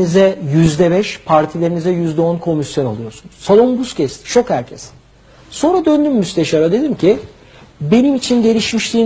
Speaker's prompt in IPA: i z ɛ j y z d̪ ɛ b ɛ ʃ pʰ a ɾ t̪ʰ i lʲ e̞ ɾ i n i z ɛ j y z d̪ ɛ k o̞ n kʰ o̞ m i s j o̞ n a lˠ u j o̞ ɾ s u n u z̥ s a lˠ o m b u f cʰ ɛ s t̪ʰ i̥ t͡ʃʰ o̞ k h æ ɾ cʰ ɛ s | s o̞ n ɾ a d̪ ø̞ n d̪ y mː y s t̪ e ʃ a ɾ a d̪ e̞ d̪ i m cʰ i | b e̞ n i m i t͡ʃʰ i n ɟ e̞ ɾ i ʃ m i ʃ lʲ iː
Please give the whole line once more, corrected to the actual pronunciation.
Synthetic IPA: i z ɛ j y z d̪ ɛ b ɛ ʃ pʰ a ɾ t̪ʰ i lʲ e̞ ɾ i n i z ɛ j y z d̪ ɛ o̞ n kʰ o̞ m i s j o̞ n a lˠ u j o̞ ɾ s u n u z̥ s a lˠ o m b u s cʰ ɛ s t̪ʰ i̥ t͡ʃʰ o̞ k h æ ɾ cʰ ɛ s | s o̞ n ɾ a d̪ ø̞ n d̪ y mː y s t̪ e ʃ a ɾ a d̪ e̞ d̪ i m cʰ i | b e̞ n i m i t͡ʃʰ i n ɟ e̞ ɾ i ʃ m i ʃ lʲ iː